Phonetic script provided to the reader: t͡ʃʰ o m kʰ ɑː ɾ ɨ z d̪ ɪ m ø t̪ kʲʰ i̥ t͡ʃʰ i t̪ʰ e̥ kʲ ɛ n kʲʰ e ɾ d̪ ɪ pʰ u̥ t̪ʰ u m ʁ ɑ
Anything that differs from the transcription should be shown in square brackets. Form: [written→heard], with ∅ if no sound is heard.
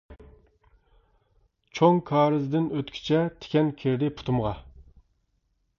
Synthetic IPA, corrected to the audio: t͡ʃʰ o [m→ŋ] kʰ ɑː ɾ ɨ z d̪ ɪ [m→n] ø t̪ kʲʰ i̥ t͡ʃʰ [i→ɛ] t̪ʰ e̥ kʲ ɛ n kʲʰ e ɾ d̪ ɪ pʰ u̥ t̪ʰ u m ʁ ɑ